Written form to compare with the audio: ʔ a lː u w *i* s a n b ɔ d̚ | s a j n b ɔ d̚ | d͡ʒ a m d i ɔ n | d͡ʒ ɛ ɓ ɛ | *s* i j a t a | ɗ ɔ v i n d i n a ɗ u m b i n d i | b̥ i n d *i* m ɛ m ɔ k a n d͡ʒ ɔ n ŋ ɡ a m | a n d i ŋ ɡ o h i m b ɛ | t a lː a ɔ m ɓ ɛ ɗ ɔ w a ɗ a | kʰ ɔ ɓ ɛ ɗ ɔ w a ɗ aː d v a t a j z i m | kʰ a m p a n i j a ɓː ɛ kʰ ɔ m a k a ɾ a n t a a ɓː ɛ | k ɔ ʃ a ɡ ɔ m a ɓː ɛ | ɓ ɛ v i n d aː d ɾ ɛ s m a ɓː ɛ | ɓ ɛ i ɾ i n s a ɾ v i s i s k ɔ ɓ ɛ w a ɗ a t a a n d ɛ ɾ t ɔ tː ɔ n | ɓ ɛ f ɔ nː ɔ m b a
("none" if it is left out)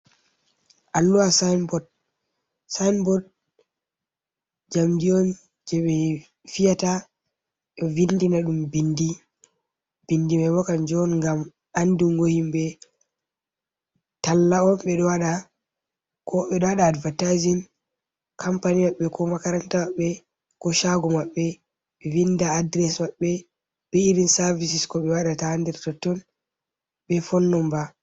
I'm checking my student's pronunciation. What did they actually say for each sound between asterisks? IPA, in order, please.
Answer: a, f, i

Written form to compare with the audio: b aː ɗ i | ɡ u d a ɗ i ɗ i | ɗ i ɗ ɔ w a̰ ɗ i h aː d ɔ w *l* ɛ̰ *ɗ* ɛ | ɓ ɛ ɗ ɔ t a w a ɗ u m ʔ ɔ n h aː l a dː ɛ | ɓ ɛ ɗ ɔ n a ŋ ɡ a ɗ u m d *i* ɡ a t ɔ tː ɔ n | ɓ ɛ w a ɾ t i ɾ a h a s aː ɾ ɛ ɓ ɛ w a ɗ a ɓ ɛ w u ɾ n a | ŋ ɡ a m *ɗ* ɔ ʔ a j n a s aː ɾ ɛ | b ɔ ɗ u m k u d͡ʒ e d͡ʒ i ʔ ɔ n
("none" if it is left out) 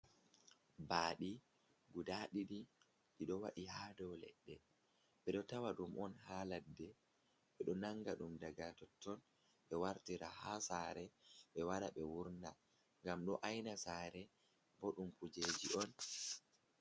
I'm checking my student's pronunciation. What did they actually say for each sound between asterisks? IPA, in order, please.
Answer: l, ɗː, a, ɗ

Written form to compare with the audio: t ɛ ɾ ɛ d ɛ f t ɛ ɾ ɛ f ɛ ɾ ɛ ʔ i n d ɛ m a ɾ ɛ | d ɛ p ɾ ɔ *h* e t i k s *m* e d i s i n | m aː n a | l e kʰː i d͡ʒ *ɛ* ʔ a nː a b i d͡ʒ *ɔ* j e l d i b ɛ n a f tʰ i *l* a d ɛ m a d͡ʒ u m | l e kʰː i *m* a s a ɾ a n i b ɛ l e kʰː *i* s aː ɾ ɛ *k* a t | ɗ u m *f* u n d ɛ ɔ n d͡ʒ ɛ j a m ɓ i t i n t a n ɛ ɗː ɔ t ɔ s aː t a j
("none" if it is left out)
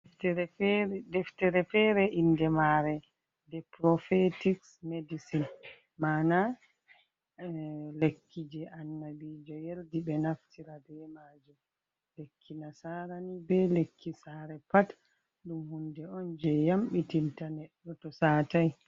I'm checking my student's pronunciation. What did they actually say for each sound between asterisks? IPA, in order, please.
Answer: f, m, ɛ, ɔ, ɾ, n, i, p, h

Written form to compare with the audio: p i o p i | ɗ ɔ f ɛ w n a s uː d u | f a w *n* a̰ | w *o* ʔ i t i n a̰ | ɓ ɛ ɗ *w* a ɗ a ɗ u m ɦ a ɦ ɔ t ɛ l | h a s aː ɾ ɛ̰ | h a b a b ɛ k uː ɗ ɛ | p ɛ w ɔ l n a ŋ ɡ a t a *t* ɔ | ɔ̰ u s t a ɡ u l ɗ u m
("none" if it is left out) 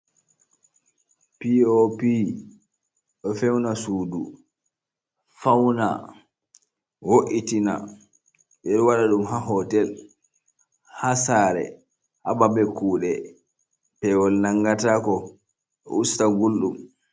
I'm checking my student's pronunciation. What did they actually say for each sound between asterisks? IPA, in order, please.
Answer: n, o, w, k

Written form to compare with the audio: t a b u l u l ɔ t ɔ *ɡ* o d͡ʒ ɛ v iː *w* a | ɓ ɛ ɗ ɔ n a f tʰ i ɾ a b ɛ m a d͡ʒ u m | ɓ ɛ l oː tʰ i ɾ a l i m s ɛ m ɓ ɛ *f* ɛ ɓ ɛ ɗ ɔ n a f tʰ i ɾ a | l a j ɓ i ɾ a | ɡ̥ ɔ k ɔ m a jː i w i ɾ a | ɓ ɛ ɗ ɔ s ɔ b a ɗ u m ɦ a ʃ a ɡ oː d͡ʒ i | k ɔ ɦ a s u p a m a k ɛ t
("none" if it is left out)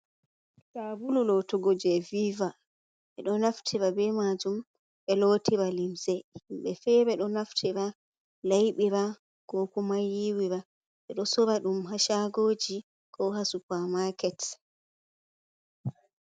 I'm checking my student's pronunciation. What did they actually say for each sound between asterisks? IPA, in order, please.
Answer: ɡ, v, f

